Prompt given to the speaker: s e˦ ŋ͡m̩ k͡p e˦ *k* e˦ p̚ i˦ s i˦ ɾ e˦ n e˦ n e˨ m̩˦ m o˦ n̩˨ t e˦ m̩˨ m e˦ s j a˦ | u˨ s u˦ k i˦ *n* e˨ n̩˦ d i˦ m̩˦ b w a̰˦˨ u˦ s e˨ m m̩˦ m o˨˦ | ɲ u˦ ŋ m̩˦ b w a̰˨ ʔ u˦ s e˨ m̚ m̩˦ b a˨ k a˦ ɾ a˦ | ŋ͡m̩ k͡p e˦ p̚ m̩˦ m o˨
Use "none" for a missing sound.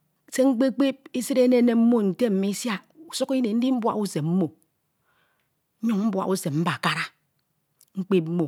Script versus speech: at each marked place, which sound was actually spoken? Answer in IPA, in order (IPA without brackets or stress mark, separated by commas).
k͡p, n